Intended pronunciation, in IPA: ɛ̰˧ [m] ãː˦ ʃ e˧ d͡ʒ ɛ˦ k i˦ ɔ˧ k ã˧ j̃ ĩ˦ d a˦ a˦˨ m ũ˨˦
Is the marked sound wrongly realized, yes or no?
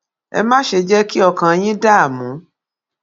no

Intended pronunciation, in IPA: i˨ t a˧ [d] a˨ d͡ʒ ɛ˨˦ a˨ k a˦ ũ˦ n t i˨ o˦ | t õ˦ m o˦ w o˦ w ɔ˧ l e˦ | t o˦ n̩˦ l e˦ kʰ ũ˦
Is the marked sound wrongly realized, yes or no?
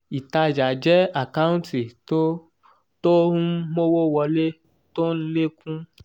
yes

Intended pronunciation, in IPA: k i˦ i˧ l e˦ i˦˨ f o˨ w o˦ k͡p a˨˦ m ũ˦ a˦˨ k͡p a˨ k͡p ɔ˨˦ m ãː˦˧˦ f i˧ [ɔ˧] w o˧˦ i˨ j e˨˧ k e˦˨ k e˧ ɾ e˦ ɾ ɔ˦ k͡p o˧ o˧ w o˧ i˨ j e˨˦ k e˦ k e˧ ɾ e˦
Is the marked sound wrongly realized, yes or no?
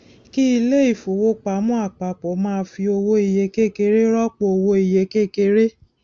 yes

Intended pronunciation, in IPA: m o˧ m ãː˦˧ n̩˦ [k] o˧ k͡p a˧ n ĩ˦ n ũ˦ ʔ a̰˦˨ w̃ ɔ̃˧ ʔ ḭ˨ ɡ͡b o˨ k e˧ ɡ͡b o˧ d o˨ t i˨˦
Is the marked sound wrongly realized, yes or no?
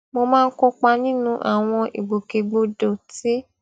no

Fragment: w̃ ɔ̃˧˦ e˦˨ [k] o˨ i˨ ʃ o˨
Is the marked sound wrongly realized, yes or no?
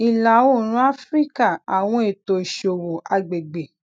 yes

